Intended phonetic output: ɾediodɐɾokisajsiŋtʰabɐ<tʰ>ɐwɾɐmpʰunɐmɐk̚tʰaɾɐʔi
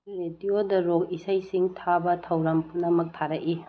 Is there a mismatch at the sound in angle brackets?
no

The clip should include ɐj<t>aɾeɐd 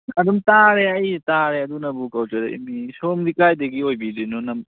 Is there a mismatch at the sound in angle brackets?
no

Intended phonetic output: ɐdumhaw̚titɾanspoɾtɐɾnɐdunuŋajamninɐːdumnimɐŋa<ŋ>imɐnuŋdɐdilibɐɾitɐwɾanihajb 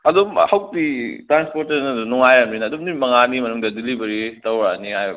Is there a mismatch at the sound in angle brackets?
yes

